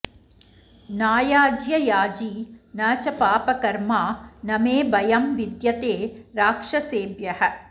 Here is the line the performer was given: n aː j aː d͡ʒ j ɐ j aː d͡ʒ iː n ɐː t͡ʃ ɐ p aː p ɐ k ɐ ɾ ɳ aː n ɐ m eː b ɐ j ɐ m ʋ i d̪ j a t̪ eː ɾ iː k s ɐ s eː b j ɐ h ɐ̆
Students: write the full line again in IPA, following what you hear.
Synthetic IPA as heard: n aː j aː d͡ʒ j ɐ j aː d͡ʒ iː n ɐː t͡ʃ ɐ p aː p ɐ k ɐ ɾ m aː n ɐ m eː b ɐ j ɐ m ʋ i d̪ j ɐ t̪ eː ɾ aː k ʂ ɐ s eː b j ɐ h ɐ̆